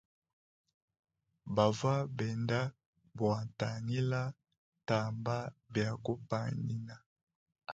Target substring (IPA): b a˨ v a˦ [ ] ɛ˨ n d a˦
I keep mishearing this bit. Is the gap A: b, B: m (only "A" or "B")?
A